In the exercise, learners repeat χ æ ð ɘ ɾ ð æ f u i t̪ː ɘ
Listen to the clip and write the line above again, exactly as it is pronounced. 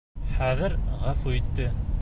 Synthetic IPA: χ æ ð ɘ ɾ ʁ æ f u i t̪ː ɘ